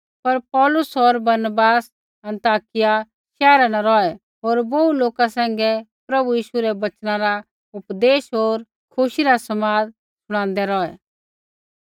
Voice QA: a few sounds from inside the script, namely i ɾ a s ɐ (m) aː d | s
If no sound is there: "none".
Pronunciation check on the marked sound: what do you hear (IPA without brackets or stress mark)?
m